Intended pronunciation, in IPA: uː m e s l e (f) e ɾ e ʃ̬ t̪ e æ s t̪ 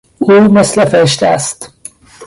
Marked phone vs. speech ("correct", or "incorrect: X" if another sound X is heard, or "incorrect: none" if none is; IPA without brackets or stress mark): correct